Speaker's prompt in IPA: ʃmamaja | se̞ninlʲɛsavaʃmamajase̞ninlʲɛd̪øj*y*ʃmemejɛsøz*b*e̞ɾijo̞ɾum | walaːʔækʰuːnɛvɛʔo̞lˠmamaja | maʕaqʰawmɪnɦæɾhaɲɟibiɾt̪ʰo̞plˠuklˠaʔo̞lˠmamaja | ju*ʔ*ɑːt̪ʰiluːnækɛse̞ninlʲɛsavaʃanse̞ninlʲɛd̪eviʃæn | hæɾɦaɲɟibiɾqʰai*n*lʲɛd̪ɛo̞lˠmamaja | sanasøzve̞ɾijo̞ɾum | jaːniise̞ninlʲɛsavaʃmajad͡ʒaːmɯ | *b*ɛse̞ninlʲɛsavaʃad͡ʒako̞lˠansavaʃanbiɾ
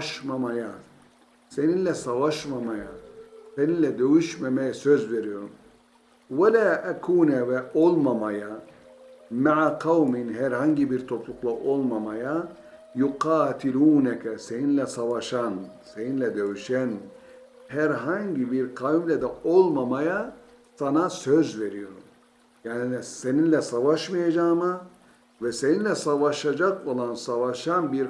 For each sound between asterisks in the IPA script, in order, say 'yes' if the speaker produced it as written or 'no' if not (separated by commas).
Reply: yes, no, no, no, no